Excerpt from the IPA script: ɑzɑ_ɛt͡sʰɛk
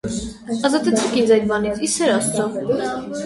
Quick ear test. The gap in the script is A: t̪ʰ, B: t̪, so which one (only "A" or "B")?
B